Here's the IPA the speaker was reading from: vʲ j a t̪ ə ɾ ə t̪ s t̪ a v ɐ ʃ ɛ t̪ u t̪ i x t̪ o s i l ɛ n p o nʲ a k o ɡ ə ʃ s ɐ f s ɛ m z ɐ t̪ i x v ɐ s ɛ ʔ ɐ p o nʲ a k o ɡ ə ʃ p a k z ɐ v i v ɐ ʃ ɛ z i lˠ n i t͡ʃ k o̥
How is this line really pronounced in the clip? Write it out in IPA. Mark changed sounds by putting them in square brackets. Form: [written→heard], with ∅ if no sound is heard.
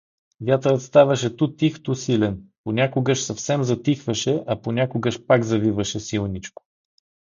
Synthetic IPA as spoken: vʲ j a t̪ ə ɾ ə t̪ s t̪ a v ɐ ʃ ɛ t̪ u t̪ i x t̪ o s i l ɛ n p o nʲ a k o ɡ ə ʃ s ɐ f s ɛ m z ɐ t̪ i x v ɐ [s→ʃ] ɛ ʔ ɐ p o nʲ a k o ɡ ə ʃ p a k z ɐ v i v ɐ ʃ ɛ [z→s] i lˠ n i t͡ʃ k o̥